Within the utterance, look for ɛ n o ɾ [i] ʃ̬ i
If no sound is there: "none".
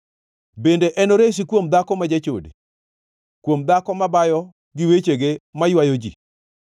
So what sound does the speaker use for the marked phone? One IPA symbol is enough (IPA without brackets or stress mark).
e